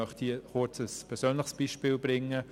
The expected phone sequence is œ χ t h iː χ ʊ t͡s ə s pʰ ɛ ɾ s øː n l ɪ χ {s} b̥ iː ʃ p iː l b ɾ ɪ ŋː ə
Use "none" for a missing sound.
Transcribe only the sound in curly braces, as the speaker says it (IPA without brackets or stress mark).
s